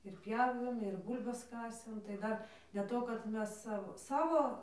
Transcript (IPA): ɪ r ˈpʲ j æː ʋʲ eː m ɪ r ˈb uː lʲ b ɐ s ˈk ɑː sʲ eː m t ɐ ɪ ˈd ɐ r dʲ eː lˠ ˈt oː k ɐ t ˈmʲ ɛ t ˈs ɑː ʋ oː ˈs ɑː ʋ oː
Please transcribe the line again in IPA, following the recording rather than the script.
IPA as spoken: ɪ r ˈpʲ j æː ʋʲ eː m ɪ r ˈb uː lʲ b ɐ s ˈk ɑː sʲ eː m t ɐ ɪ ˈd ɐ r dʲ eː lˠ ˈt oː k ɐ t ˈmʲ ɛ s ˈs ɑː ʋ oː ˈs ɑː ʋ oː

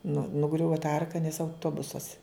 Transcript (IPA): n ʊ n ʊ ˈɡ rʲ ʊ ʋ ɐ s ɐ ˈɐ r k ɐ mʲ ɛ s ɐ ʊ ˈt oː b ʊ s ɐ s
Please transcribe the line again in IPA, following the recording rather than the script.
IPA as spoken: n ʊ n ʊ ˈɡ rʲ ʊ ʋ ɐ t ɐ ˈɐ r k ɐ nʲ ɛ s ɐ ʊ ˈt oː b ʊ s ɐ s

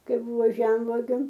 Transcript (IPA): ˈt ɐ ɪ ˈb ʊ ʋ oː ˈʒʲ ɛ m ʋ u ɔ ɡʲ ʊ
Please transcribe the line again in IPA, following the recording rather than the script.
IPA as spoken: ˈk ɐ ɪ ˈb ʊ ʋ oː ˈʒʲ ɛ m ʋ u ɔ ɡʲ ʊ

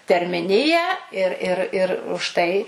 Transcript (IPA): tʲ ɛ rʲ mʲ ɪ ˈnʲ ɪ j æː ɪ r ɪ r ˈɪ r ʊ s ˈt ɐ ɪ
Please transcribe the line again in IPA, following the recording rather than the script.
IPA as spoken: tʲ ɛ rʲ mʲ ɪ ˈnʲ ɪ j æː ɪ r ɪ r ˈɪ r ʊ ʃ ˈt ɐ ɪ

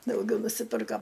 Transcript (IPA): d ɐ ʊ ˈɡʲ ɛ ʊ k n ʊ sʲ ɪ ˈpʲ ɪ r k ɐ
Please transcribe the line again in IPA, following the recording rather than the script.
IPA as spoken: d ɐ ʊ ˈɡʲ ɛ ʊ n ʊ sʲ ɪ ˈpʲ ɪ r k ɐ

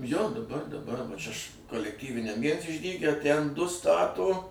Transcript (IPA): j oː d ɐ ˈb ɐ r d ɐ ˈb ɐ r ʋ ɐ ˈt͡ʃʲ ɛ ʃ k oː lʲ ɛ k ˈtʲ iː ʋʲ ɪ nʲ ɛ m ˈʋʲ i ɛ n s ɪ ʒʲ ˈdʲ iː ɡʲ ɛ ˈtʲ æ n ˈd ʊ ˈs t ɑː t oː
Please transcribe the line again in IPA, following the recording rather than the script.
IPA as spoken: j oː d ɐ ˈb ɐ r d ɐ ˈb ɐ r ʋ ɐ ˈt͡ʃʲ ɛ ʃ k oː lʲ ɛ k ˈtʲ iː ʋʲ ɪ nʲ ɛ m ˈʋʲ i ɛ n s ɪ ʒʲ ˈdʲ iː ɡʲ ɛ ˈtʲ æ n ˈd ʊ ˈs t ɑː t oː

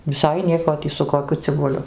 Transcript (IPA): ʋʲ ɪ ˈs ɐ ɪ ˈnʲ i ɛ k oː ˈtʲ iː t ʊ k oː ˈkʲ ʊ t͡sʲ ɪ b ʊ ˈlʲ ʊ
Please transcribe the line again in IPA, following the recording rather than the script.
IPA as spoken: ʋʲ ɪ ˈs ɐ ɪ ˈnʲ i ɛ k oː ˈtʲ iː s ʊ k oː ˈkʲ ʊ t͡sʲ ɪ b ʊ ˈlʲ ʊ

